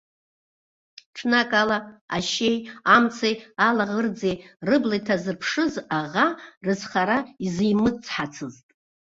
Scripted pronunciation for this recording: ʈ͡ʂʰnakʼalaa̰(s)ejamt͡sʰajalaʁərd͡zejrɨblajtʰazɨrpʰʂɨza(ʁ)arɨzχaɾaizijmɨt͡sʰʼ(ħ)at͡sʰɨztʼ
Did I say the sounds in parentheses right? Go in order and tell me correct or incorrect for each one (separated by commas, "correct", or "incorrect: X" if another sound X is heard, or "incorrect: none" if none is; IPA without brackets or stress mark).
incorrect: ʃ, correct, correct